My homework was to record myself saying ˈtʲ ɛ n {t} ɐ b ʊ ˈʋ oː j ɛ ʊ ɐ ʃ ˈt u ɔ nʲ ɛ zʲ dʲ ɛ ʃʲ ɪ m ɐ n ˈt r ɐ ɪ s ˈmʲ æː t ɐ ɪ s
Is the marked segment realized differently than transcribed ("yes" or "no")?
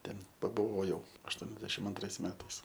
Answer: yes